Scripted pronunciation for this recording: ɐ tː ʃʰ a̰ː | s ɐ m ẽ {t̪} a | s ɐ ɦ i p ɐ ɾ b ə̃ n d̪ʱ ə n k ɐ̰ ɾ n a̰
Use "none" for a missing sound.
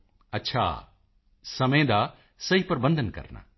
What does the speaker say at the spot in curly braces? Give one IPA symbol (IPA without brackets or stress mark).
d̪